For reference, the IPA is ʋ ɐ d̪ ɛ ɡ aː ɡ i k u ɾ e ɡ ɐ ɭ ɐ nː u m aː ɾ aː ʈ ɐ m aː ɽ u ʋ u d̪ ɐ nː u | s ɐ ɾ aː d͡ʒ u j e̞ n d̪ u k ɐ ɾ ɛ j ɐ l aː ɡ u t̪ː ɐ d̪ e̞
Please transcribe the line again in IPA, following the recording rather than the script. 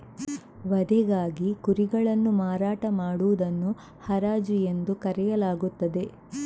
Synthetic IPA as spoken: ʋ ɐ d̪ ɛ ɡ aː ɡ i k u ɾ i ɡ ɐ ɭ ɐ nː u m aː ɾ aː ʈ ɐ m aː ɽ u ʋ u d̪ ɐ nː u | h ɐ ɾ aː d͡ʒ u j e̞ n d̪ u k ɐ ɾ ɛ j ɐ l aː ɡ u t̪ː ɐ d̪ e̞